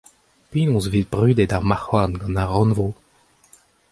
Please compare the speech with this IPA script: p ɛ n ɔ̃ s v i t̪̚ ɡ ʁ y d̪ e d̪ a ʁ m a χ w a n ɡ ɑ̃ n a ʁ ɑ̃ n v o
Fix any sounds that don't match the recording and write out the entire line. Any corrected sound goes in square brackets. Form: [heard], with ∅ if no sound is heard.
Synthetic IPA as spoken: p [i] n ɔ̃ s v i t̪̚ [b] ʁ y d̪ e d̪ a ʁ m a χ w a n ɡ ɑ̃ n a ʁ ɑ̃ n v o